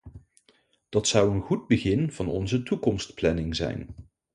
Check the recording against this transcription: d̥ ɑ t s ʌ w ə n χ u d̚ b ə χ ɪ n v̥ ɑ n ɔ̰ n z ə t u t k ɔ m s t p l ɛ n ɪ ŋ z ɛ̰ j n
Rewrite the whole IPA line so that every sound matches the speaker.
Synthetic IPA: d̥ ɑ t s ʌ w ə n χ u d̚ b ə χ ɪ n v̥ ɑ n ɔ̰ n z ə t u k ɔ m s t p l ɛ n ɪ ŋ z ɛ̰ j n